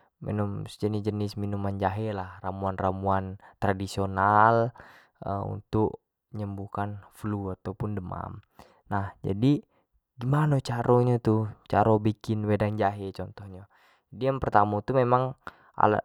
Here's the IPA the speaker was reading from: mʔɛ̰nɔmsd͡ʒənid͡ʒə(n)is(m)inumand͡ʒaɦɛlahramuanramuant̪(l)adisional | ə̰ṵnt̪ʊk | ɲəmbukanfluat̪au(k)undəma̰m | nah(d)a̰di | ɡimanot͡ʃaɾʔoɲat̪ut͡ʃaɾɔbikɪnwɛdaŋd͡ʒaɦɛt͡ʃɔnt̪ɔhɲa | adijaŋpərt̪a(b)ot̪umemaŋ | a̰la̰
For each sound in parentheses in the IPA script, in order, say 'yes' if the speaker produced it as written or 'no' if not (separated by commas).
yes, yes, no, no, no, no